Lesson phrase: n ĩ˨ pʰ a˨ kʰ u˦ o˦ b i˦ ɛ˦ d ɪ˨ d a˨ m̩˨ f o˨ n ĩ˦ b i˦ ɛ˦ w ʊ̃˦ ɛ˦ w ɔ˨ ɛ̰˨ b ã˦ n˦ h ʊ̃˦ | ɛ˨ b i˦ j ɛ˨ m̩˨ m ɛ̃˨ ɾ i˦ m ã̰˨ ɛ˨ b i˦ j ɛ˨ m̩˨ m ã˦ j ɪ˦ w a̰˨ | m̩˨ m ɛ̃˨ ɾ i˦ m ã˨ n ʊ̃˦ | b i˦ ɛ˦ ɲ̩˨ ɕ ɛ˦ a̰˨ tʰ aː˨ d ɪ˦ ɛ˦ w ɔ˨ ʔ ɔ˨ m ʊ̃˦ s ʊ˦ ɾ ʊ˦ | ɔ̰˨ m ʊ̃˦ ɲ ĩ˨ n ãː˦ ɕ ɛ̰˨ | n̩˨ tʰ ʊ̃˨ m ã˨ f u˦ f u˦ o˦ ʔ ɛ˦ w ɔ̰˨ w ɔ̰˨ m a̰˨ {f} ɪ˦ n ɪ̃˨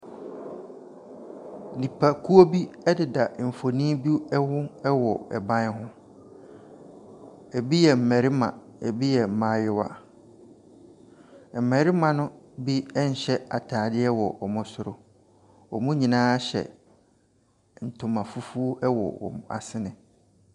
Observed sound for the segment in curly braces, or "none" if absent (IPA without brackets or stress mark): s